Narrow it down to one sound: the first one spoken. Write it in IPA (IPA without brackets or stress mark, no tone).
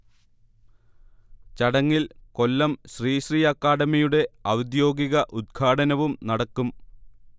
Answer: t͡ɕ